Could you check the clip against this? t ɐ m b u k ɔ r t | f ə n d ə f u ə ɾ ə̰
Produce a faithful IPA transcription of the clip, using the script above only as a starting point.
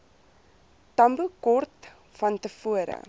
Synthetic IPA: t ɐ m b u k ɔ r t | f ɐ n t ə f u ə ɾ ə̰